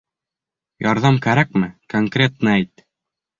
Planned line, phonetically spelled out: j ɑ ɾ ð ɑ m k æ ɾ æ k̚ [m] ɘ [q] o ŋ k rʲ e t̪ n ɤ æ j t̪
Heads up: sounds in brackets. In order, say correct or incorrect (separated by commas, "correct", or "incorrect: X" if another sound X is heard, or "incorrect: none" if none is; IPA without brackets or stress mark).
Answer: correct, incorrect: k